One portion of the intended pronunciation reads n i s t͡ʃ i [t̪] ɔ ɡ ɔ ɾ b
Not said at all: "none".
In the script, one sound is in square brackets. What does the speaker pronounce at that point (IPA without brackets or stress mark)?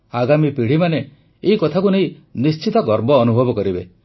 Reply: t̪